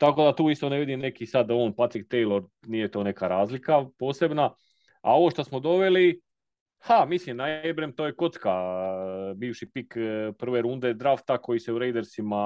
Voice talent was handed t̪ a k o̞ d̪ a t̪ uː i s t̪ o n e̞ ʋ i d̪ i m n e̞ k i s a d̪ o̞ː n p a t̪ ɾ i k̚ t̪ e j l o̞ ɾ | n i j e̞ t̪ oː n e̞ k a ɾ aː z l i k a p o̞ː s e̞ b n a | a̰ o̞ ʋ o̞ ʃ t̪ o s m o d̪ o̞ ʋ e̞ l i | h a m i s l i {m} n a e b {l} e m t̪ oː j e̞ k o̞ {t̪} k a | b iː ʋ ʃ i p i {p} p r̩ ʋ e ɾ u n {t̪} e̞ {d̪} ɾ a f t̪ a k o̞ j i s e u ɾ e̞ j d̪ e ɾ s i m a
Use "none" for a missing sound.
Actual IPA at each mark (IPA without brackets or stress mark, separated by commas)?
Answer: m, ɾ, t̪, k, d̪, d̪